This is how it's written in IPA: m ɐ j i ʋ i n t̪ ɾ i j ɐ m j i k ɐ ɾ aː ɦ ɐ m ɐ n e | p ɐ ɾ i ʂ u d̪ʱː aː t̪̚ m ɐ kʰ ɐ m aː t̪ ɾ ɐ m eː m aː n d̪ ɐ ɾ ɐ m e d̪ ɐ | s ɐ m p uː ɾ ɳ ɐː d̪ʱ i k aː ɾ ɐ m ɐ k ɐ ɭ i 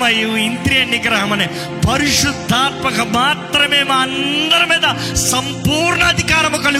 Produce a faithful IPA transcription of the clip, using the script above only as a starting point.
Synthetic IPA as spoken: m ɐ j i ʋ i n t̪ ɾ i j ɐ n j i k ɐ ɾ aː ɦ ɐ m ɐ n e | p ɐ ɾ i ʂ u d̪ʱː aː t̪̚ m ɐ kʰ ɐ m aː t̪ ɾ ɐ m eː m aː n d̪ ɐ ɾ ɐ m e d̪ ɐ | s ɐ m p uː ɾ ɳ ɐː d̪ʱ i k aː ɾ ɐ m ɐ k ɐ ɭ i